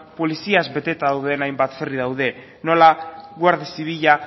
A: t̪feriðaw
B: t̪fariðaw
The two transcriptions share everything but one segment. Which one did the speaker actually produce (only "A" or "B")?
A